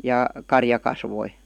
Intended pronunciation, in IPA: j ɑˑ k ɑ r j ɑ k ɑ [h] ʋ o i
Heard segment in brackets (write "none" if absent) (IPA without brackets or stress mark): s